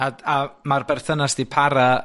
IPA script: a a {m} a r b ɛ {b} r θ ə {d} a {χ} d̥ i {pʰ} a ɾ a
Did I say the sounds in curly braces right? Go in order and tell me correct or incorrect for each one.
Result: correct, incorrect, incorrect, incorrect, correct

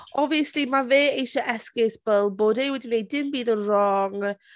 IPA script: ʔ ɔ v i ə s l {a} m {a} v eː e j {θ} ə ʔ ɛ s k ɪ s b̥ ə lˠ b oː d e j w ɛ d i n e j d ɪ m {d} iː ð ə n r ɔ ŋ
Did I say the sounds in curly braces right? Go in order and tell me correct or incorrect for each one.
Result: incorrect, correct, incorrect, incorrect

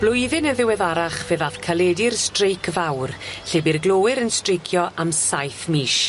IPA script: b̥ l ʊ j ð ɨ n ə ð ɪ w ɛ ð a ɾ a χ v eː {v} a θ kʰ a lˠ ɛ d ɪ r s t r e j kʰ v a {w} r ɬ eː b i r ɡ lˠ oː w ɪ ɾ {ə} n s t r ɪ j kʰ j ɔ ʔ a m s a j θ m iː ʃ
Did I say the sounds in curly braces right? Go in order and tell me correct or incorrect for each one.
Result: incorrect, correct, correct

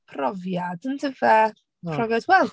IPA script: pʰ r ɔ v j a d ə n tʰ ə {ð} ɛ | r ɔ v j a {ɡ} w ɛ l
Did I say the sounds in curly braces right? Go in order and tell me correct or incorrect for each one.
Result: incorrect, incorrect

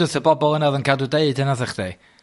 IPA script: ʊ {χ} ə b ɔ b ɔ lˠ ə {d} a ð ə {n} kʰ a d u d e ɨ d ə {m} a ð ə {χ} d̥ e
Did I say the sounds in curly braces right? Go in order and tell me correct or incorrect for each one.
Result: incorrect, incorrect, correct, incorrect, correct

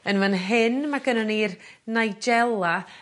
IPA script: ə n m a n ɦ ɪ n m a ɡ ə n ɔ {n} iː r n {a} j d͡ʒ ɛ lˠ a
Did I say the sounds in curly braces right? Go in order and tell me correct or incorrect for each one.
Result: correct, correct

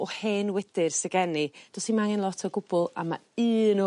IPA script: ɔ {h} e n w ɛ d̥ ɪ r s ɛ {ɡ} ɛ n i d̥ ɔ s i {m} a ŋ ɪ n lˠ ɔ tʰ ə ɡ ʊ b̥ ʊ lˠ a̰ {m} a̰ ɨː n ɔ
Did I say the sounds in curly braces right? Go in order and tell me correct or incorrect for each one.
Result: correct, correct, correct, correct

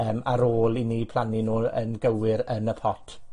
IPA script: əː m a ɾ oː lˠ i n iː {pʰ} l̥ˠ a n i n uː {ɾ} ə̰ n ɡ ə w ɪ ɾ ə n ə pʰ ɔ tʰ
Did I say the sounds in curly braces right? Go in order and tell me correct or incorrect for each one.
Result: correct, incorrect

